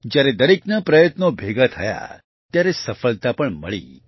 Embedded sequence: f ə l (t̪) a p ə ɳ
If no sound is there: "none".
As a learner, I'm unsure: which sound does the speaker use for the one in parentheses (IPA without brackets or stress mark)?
t̪